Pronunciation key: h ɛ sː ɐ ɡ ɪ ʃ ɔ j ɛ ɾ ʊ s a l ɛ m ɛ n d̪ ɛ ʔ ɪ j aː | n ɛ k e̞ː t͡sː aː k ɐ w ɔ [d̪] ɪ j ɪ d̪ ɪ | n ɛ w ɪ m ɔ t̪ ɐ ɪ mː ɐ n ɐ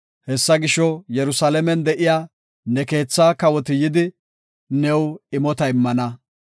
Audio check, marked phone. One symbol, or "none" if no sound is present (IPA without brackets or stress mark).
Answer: t̪